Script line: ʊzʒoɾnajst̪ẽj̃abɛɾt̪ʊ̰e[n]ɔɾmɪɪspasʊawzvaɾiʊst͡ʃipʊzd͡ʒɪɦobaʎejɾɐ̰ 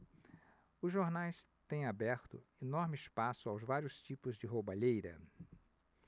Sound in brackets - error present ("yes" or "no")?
no